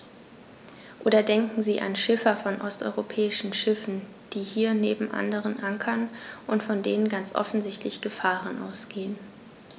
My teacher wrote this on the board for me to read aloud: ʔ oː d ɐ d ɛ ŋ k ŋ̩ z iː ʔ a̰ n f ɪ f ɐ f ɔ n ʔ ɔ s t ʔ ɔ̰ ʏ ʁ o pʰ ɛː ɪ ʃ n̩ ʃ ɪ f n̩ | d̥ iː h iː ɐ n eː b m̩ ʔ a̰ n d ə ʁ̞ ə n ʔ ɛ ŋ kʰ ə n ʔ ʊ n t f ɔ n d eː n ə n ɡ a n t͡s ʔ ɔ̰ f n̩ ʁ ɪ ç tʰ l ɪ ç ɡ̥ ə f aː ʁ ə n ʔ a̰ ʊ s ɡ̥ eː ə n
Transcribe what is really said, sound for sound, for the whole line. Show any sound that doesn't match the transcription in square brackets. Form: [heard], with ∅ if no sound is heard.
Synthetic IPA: ʔ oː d ɐ d ɛ ŋ k ŋ̩ z iː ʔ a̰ n [ʃ] ɪ f ɐ f ɔ n ʔ ɔ s t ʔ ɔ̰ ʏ ʁ o pʰ ɛː ɪ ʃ n̩ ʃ ɪ f n̩ | d̥ iː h iː ɐ n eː b m̩ ʔ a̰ n d ə ʁ̞ ə n ʔ [a] ŋ kʰ [ɐ] n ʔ ʊ n t f ɔ n d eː n ə n ɡ a n t͡s ʔ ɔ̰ f n̩ [z] ɪ ç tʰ l ɪ ç ɡ̥ ə f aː ʁ ə n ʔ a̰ ʊ s ɡ̥ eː ə n

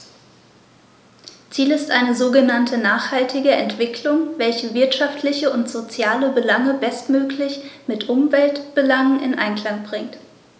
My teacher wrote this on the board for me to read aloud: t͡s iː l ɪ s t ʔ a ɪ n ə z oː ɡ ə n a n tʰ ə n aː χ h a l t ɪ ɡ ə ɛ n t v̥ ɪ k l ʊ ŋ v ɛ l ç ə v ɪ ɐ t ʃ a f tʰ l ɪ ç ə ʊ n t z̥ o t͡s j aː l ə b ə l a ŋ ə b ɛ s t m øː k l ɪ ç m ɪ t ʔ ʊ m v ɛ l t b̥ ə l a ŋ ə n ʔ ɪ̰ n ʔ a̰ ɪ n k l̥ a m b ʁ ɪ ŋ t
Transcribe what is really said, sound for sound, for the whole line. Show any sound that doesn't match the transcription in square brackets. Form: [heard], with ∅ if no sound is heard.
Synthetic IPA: t͡s iː l ɪ s t ʔ a ɪ n ə z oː ɡ ə n a n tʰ ə n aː χ h a l t ɪ ɡ ə ɛ n t v̥ ɪ k l ʊ ŋ v ɛ l ç ə v ɪ ɐ t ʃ a f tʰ l ɪ ç ə ʊ n t z̥ o t͡s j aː l ə b ə l a ŋ ə b ɛ s t m øː k l ɪ ç m ɪ t ʔ ʊ m v ɛ l t b̥ ə l a ŋ ə n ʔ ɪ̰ n ʔ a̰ ɪ n k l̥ a [ŋ] b ʁ ɪ ŋ t

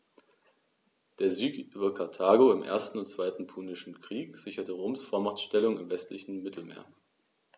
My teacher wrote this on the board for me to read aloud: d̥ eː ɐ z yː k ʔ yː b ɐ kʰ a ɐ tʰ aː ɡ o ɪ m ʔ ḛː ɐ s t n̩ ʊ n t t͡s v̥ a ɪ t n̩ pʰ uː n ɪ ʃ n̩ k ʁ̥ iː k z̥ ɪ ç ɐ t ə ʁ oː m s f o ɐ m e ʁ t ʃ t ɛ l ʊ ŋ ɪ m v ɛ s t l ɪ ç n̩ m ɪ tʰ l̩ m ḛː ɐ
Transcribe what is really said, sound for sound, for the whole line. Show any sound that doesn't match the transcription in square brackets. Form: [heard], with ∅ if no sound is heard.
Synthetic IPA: d̥ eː ɐ z yː k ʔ yː b ɐ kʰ a ɐ tʰ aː ɡ o ɪ m ʔ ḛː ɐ s t n̩ ʊ n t t͡s v̥ a ɪ t n̩ pʰ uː n ɪ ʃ n̩ k ʁ̥ iː k z̥ ɪ ç ɐ t ə ʁ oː m s f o ɐ m [a] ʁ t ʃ t ɛ l ʊ ŋ ɪ m v ɛ s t l ɪ ç n̩ m ɪ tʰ l̩ m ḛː ɐ

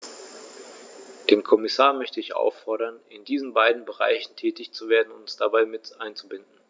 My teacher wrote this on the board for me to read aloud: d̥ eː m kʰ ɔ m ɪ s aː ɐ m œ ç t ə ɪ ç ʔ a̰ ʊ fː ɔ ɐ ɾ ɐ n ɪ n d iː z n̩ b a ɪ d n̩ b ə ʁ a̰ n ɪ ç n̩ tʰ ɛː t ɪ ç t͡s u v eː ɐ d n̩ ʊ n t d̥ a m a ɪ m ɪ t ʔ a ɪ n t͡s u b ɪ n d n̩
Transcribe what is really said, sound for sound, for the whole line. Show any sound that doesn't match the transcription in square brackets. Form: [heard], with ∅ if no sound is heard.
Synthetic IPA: d̥ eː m kʰ ɔ m ɪ s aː ɐ m œ ç t ə ɪ ç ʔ a̰ ʊ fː ɔ ɐ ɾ ɐ n ɪ n d iː z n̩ b a ɪ d n̩ b ə ʁ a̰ [∅] ɪ ç n̩ tʰ ɛː t ɪ ç t͡s u v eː ɐ d n̩ ʊ n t d̥ a [b] a ɪ m ɪ t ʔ a ɪ n t͡s u b ɪ n d n̩

